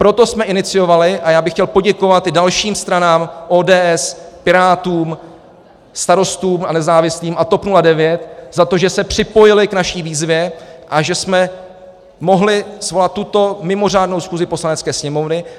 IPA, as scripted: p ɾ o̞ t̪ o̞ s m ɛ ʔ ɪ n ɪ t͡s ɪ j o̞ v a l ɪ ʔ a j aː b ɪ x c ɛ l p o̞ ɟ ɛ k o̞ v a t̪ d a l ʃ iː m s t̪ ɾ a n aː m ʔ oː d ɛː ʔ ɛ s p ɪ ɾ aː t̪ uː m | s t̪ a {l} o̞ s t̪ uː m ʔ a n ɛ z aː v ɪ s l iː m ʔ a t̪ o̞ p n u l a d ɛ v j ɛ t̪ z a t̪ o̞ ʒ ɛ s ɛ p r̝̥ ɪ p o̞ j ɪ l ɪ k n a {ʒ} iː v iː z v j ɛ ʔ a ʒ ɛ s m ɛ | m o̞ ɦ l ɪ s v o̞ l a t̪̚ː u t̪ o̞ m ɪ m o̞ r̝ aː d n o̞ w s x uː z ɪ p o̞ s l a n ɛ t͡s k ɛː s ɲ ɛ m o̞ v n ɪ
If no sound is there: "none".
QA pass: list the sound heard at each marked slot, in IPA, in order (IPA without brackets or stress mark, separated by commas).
ɾ, ʃ